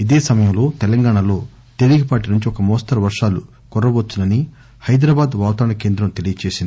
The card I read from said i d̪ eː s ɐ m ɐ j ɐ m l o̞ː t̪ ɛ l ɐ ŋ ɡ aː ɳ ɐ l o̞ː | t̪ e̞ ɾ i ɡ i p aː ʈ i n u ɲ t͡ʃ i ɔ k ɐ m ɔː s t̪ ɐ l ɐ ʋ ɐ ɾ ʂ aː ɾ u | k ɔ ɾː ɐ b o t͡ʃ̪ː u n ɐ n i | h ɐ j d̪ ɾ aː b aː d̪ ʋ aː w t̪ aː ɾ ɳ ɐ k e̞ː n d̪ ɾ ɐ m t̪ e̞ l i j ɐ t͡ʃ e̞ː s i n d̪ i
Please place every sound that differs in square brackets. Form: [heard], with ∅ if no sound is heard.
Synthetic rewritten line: i d̪ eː s ɐ m ɐ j ɐ m l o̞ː t̪ ɛ l ɐ ŋ ɡ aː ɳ ɐ l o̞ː | t̪ e̞ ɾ i ɡ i p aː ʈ i n u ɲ t͡ʃ i ɔ k ɐ m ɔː s t̪ ɐ [ɾ] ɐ ʋ ɐ ɾ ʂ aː [l] u | k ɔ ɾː ɐ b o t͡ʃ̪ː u n ɐ n i | h ɐ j d̪ ɾ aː b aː d̪ ʋ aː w t̪ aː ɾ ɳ ɐ k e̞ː n d̪ ɾ ɐ m t̪ e̞ l i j ɐ t͡ʃ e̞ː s i n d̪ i